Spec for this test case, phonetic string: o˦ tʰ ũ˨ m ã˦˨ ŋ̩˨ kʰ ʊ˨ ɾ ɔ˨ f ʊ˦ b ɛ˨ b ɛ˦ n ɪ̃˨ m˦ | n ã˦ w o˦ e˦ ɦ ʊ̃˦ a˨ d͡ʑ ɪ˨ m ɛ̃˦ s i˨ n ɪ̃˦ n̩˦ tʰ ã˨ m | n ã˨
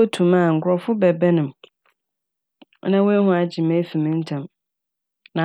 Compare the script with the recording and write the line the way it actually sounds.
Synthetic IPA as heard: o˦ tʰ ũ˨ m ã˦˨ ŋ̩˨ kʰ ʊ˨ ɾ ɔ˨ f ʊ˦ b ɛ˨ b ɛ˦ n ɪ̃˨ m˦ | n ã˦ w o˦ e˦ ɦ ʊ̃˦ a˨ d͡ʑ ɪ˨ m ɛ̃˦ f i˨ m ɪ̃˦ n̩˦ tʰ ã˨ m | n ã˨